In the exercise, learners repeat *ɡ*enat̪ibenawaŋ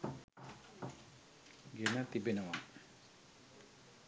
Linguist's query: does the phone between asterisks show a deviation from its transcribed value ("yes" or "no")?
no